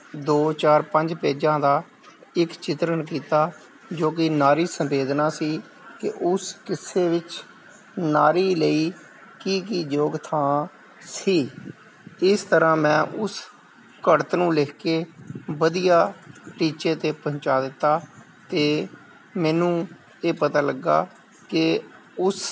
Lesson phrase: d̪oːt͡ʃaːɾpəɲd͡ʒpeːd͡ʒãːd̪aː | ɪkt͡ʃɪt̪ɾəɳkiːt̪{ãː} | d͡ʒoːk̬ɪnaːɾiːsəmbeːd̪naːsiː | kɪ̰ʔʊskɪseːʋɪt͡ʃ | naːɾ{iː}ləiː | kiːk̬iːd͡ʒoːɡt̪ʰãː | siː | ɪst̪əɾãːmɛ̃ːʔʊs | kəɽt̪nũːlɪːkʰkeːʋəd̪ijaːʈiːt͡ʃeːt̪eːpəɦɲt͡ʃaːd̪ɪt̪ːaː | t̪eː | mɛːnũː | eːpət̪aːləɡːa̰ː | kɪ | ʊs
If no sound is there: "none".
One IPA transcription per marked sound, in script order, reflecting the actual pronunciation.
aː, iː

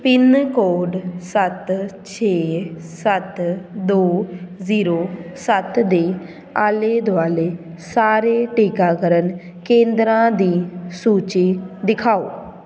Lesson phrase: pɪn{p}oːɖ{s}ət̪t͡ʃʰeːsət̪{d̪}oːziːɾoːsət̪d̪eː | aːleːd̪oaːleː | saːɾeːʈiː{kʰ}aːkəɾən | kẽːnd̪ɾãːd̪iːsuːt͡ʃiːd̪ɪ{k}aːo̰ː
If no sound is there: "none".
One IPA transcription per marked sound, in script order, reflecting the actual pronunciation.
k, s, d̪, k, kʰ

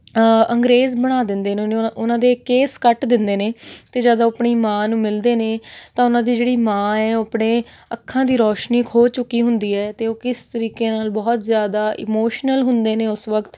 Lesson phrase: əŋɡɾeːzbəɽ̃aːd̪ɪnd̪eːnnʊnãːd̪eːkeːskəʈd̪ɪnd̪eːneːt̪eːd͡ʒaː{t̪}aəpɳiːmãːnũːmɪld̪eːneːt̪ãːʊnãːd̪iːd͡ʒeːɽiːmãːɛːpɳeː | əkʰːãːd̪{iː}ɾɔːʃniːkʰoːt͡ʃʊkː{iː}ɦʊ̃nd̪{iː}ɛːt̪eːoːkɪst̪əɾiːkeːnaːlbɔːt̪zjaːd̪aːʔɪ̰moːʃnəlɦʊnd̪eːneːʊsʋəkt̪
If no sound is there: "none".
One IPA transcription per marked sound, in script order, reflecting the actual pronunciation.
d̪, iː, iː, iː

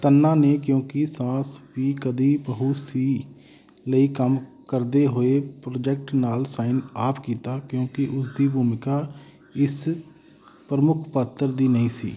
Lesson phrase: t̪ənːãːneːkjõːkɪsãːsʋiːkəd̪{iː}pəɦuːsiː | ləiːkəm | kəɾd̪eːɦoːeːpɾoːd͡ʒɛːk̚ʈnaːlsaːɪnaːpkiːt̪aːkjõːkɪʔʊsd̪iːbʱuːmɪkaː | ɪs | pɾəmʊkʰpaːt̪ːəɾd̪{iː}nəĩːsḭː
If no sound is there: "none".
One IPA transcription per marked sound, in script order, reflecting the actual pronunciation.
iː, iː

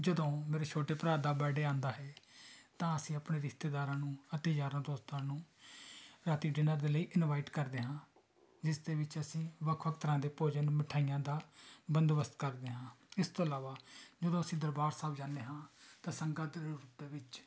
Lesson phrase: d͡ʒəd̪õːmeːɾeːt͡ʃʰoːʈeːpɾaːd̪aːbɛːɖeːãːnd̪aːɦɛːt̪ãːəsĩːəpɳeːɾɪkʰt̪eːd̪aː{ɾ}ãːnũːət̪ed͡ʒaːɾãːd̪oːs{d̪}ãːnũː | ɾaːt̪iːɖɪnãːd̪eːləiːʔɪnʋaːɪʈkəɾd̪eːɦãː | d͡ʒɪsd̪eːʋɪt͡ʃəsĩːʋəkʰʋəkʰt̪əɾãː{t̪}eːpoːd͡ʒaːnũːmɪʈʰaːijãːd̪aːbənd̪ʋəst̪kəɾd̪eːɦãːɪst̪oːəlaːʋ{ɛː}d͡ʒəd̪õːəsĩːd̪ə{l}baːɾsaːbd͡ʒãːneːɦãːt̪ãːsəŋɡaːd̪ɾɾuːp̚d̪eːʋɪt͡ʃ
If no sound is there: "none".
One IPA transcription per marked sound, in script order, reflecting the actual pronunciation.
ɾ, t̪, d̪, aː, ɾ

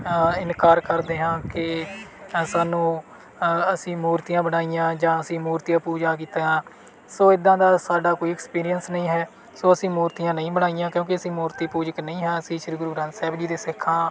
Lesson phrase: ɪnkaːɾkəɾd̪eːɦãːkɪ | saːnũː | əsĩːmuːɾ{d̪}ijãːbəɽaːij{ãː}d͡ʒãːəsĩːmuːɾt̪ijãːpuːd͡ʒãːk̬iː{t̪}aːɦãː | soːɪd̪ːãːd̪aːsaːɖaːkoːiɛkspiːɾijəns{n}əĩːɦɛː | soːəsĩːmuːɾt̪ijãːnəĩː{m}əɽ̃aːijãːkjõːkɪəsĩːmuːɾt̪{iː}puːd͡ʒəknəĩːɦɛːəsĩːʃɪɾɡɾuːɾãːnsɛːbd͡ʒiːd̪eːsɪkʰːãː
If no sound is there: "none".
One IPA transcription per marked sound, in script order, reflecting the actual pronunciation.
t̪, ãː, t̪, n, b, iː

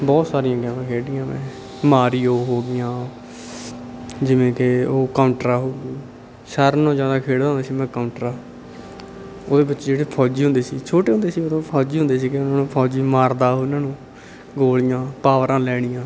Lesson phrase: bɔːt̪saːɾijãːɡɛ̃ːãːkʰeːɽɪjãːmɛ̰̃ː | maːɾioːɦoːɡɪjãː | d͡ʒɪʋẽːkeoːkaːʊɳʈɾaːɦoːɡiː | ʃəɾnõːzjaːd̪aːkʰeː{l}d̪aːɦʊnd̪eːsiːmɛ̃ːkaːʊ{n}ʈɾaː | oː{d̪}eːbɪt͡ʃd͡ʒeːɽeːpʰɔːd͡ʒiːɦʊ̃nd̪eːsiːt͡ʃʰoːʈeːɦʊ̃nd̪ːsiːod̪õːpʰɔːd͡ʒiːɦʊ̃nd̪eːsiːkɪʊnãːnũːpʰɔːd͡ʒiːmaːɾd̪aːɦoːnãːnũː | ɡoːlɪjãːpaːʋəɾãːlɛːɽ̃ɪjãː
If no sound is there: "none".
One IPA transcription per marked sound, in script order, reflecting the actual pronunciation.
ɽ, ɳ, d̪

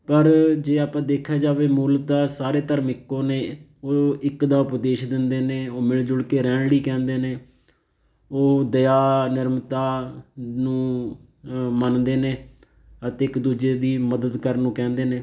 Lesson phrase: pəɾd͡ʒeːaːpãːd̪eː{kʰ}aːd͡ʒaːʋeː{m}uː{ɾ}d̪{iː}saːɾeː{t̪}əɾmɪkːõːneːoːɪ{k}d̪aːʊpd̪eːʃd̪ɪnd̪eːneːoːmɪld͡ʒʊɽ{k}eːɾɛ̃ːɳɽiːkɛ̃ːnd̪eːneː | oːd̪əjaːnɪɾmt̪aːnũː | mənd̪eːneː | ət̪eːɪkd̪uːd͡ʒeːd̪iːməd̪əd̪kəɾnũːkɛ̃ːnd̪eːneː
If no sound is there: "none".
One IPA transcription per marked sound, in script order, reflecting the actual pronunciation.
kʰ, m, l, aː, t̪, k, k

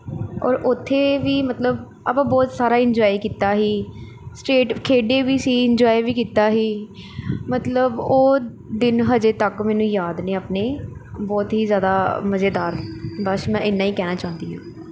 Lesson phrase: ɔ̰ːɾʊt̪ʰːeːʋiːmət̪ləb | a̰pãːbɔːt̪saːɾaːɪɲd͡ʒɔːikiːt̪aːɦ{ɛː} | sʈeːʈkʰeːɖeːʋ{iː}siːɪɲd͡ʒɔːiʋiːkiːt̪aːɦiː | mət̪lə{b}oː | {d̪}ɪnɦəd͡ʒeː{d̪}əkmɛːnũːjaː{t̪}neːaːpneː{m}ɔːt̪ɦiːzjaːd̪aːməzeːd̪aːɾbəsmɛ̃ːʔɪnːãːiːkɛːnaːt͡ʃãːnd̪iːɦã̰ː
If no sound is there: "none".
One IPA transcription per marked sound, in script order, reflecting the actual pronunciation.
iː, iː, b, d̪, t̪, d̪, b

